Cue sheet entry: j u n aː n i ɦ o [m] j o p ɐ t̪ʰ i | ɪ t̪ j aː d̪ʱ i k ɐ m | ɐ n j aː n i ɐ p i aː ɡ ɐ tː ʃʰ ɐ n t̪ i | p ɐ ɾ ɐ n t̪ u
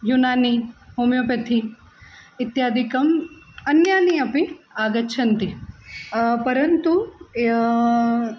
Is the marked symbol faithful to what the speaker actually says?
yes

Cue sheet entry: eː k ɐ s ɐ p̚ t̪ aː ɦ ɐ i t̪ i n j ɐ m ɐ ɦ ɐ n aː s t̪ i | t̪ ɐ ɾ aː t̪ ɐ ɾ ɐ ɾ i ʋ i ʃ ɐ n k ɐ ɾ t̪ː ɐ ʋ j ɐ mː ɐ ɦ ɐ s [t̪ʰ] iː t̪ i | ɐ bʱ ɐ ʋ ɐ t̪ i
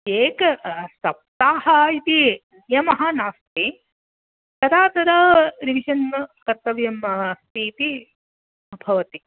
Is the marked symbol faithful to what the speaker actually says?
no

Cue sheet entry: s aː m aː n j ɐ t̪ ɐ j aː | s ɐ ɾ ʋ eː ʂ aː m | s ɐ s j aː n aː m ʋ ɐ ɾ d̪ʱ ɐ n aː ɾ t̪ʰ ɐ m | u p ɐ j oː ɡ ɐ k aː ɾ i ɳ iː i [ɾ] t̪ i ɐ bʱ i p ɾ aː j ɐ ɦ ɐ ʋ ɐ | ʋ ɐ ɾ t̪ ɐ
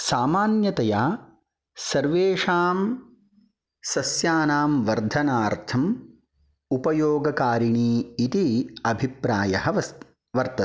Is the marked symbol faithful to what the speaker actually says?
no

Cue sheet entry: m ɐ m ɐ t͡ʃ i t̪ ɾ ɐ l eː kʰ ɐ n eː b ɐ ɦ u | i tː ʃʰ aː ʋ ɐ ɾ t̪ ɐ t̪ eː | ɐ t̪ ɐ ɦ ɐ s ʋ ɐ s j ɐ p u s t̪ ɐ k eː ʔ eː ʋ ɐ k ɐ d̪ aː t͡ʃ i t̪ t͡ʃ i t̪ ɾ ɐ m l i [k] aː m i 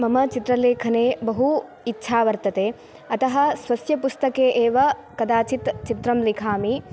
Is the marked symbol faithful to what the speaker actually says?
no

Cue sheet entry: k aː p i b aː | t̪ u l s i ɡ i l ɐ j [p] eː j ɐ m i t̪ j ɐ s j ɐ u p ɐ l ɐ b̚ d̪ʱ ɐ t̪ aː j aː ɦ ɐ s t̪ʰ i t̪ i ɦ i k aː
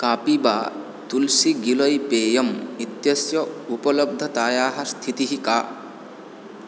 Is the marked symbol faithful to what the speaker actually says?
yes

